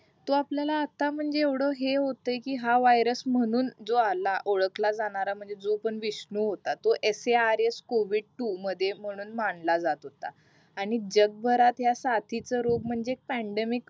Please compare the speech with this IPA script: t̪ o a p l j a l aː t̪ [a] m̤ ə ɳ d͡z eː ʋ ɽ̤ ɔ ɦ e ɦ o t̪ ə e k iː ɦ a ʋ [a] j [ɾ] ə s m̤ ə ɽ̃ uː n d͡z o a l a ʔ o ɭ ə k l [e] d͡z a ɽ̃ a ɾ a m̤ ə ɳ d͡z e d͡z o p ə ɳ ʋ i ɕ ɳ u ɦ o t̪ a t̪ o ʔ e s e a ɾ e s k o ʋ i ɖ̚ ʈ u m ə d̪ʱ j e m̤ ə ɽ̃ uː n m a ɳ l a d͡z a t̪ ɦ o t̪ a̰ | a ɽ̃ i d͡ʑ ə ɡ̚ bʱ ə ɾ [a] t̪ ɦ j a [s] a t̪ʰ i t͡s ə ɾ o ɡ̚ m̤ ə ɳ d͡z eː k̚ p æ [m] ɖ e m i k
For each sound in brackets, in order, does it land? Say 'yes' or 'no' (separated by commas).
yes, yes, yes, no, yes, yes, no